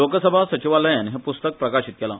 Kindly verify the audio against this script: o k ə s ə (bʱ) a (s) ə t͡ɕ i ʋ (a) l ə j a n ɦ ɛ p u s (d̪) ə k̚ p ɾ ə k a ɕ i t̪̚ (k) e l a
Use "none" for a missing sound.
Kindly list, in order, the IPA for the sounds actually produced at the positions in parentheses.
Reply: bʱ, s, a, t̪, k

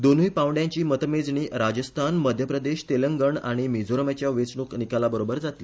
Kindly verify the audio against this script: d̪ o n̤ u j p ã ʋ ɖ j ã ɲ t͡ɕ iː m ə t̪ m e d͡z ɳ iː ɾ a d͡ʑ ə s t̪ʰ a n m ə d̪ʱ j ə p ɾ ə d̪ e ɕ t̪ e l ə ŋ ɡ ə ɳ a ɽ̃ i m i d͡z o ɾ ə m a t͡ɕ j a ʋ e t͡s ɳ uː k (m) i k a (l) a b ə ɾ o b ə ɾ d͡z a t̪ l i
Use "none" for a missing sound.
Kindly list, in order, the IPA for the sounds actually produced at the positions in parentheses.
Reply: n, l

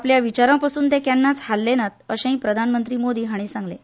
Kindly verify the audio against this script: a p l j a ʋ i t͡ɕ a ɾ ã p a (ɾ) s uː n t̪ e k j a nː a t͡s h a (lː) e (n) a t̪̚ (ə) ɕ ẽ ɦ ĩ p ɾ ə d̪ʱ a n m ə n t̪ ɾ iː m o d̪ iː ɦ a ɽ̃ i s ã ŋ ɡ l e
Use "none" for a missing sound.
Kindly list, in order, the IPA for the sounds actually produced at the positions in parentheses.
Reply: none, lː, n, ə

